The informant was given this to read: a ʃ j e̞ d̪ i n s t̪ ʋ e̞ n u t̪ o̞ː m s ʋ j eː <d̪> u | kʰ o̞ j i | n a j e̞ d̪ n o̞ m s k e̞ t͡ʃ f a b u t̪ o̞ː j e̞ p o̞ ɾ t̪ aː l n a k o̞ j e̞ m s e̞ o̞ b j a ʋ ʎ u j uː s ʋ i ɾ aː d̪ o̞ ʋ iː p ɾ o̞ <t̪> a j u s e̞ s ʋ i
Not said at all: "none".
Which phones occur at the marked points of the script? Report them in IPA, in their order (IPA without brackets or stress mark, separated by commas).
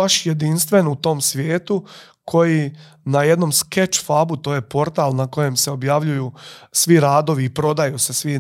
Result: t̪, d̪